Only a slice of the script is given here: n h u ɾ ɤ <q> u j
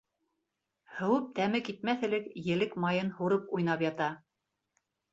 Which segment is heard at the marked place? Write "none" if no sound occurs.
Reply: p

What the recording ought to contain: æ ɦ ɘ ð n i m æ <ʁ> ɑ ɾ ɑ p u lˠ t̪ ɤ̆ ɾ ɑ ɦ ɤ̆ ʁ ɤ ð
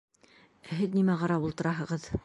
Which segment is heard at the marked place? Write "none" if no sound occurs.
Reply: ʁ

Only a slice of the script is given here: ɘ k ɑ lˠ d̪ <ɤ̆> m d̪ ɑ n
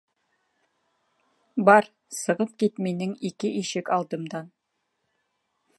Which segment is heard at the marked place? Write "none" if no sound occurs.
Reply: ɤ̆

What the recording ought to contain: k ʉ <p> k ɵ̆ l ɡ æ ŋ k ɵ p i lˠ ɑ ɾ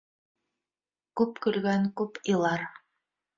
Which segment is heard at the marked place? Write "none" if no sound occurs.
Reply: p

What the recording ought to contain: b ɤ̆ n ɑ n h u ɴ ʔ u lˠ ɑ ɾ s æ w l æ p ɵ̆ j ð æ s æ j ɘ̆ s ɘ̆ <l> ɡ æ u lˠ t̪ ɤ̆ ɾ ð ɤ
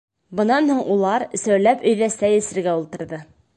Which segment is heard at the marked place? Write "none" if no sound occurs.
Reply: ɾ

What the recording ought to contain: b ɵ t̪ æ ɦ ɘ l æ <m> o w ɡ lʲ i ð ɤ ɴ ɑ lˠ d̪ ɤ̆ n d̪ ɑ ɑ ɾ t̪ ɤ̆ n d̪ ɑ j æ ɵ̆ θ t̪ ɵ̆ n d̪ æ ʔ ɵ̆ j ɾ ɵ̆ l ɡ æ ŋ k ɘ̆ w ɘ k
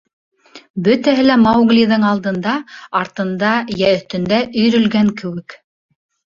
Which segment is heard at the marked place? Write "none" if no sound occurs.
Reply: m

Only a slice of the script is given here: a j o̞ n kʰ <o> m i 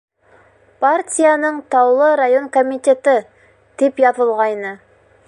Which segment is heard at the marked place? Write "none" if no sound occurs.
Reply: o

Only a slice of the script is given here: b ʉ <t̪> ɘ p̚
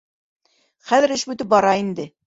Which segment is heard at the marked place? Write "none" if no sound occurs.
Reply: t̪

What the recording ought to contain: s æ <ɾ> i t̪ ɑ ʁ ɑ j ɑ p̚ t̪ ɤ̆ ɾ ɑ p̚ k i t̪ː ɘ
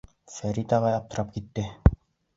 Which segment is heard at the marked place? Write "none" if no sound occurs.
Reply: ɾ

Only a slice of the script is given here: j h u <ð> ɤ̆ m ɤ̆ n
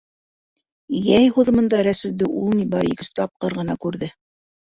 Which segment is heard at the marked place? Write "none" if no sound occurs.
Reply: ð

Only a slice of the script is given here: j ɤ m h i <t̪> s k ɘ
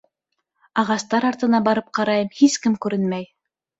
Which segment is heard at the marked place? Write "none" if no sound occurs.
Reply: none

